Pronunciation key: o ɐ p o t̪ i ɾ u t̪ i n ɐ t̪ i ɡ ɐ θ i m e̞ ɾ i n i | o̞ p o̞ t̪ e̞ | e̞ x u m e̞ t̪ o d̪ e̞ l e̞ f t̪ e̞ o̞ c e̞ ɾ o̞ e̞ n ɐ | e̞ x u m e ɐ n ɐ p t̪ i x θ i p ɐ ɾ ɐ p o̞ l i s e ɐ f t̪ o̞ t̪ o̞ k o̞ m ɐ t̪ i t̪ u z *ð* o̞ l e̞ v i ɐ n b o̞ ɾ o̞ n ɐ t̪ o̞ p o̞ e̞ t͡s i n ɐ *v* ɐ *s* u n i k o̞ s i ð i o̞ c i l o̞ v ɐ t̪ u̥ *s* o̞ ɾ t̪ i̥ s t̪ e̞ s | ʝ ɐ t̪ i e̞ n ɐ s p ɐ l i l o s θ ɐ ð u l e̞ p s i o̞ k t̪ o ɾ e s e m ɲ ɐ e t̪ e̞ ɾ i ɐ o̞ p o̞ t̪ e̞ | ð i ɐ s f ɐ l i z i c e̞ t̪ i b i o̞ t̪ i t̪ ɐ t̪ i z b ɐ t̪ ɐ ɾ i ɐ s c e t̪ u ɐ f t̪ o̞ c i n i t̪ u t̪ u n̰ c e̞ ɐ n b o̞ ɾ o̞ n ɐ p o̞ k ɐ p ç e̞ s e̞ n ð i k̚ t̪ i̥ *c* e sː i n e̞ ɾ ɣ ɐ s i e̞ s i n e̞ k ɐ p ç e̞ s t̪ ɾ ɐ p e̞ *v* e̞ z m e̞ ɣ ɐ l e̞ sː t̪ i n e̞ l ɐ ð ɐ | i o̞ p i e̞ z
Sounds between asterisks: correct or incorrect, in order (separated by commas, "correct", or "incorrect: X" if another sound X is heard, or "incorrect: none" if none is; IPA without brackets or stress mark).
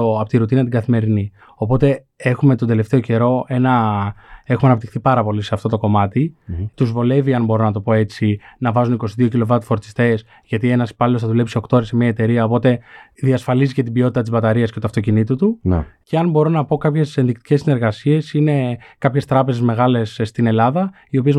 incorrect: v, correct, incorrect: z, incorrect: f, correct, incorrect: z